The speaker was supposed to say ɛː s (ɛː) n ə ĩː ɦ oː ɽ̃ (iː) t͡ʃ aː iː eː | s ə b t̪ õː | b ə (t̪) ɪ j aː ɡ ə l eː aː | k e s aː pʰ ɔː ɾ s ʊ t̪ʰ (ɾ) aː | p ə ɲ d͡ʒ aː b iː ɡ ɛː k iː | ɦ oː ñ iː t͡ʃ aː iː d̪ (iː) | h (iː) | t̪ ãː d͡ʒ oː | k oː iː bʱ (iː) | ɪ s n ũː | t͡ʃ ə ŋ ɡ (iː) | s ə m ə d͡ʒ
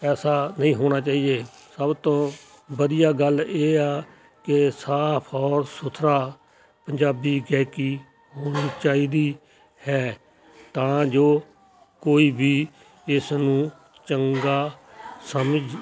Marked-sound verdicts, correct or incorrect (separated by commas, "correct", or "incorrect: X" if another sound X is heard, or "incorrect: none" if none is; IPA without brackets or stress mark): incorrect: aː, incorrect: aː, incorrect: d̪, correct, correct, incorrect: ɛː, correct, incorrect: aː